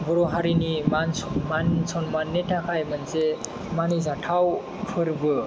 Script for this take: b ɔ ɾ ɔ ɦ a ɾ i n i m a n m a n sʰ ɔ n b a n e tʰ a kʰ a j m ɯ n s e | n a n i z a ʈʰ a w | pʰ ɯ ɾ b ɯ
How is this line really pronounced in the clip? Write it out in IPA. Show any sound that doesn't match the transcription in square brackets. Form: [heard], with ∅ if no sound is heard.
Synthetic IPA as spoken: b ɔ ɾ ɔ ɦ a ɾ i n i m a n m a n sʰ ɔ n [m] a n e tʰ a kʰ a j m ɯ n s e | [m] a n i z a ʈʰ a w | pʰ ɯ ɾ b ɯ